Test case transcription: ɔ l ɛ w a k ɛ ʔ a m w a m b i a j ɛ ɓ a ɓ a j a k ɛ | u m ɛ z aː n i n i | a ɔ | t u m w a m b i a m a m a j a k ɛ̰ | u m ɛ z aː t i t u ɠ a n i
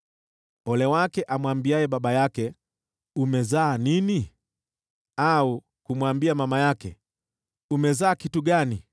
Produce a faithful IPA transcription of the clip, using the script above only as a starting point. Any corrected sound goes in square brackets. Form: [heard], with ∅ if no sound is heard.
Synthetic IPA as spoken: ɔ l ɛ w a k ɛ ʔ a m w a m b i a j ɛ ɓ a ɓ a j a k ɛ | u m ɛ z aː n i n i | a [u] | [k] u m w a m b i a m a m a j a k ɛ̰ | u m ɛ z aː [k] i t u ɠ a n i